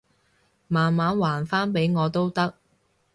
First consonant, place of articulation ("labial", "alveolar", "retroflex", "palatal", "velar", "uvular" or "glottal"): labial